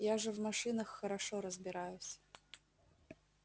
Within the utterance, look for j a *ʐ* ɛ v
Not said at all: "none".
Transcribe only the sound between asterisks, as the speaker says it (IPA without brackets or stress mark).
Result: ʐ